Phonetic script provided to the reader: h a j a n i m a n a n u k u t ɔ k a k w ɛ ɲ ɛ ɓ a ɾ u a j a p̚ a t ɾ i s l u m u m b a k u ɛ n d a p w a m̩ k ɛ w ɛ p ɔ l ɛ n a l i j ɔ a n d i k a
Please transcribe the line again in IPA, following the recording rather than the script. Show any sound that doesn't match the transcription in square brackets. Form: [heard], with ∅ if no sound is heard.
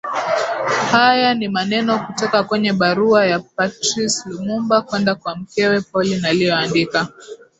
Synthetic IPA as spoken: h a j a n i m a n [ɛ] n [ɔ] k u t ɔ k a k w ɛ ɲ ɛ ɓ a ɾ u a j a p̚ a t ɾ i s l u m u m b a k [w] ɛ n d a [k] w a m̩ k ɛ w ɛ p ɔ l [i] n a l i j ɔ a n d i k a

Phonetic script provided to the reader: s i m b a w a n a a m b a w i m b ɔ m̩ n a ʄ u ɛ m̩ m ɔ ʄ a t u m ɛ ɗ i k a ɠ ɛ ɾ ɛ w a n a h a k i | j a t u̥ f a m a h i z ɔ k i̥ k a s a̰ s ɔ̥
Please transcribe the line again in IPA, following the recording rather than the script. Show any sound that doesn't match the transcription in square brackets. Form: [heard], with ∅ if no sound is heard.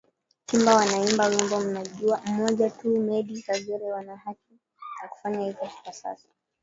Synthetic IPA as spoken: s i m b a w a n a [i] m b a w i m b ɔ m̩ n a ʄ u [a] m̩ m ɔ ʄ a t u m ɛ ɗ i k a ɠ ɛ ɾ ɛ w a n a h a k i | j a [k] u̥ f a [ɲ] a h i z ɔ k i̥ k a s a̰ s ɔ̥

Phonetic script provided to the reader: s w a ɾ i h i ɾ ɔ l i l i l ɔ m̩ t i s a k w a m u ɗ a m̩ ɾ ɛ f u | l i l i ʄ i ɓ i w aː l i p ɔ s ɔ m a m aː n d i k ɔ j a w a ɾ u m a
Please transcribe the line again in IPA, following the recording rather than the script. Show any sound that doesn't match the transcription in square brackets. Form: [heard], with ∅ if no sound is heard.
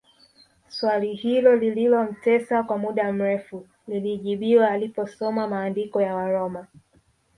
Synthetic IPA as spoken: s w a [l] i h i [l] ɔ l i l i l ɔ m̩ t [ɛ] s a k w a m u ɗ a m̩ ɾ ɛ f u | l i l i ʄ i ɓ i w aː l i p ɔ s ɔ m a m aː n d i k ɔ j a w a ɾ [ɔ] m a

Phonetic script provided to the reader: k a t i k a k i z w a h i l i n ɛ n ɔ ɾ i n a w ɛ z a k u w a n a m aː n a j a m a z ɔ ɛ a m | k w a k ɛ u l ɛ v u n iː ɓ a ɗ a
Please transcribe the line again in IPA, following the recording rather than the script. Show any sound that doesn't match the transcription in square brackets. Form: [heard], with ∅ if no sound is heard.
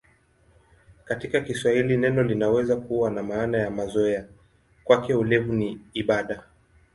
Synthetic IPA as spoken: k a t i k a k i [s] w a h i l i n ɛ n ɔ [l] i n a w ɛ z a k u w a n a m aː n a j a m a z ɔ ɛ a [∅] | k w a k ɛ u l ɛ v u n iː ɓ a ɗ a

